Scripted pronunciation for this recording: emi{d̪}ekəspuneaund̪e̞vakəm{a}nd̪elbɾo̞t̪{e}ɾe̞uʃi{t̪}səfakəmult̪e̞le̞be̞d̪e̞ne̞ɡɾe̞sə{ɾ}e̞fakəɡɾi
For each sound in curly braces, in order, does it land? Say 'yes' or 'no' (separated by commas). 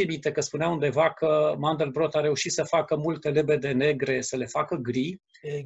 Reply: no, yes, no, yes, no